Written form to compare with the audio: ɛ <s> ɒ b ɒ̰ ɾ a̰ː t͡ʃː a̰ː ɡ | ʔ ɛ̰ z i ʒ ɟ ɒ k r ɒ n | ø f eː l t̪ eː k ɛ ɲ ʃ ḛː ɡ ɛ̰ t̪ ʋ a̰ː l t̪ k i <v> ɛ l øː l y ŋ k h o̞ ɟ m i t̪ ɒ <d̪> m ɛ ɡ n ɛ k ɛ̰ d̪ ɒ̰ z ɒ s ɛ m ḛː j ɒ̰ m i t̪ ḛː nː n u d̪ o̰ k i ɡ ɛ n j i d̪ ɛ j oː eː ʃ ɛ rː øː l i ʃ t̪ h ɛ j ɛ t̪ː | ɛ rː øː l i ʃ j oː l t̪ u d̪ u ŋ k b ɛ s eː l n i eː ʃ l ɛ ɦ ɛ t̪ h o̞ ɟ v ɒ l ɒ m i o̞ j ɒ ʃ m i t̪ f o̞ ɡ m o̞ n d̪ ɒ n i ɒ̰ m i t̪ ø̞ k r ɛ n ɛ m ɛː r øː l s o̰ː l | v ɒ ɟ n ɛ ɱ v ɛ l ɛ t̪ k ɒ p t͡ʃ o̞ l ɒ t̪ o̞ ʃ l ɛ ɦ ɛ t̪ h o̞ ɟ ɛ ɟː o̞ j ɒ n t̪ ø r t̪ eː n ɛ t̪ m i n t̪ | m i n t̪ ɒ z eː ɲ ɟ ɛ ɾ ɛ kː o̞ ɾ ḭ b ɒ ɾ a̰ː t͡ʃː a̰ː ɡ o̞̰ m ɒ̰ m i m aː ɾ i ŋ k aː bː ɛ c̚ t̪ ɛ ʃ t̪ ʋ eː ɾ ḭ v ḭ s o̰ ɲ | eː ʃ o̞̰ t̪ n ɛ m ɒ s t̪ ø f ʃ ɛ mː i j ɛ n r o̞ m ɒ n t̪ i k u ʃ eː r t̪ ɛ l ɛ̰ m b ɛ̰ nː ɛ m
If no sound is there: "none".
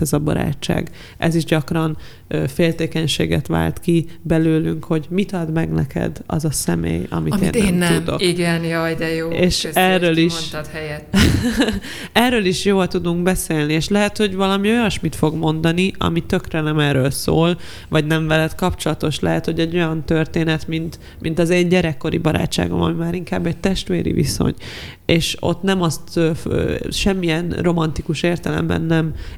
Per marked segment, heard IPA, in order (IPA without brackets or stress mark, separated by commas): z, b, d̪